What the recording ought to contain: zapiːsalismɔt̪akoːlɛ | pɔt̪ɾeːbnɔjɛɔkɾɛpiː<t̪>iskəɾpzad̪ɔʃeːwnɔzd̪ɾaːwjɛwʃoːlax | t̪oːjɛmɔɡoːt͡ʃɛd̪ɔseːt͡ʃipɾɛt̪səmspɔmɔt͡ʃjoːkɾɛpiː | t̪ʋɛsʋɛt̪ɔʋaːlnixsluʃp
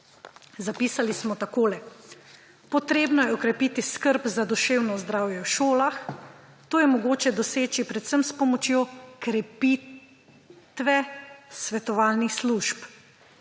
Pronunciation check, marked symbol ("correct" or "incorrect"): correct